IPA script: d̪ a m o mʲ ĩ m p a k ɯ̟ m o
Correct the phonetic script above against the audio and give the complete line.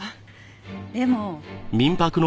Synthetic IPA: d̪ e m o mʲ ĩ m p a k ɯ̟ n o

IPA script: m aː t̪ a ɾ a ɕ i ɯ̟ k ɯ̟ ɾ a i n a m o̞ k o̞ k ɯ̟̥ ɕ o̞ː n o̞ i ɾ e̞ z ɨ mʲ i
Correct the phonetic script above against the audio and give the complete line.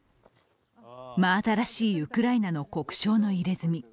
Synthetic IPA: m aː t̪ a ɾ a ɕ iː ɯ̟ k ɯ̟ ɾ a i n a n o̞ k o̞ k ɯ̟̥ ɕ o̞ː n o̞ i ɾ e̞ z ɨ mʲ i

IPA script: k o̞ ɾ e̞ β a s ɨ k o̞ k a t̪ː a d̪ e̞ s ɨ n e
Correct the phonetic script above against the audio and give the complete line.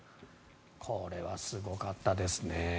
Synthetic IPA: kʰ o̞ ɾ e̞ β a s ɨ ɡ o̞ k a t̪ː a d̪ e̞ s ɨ n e

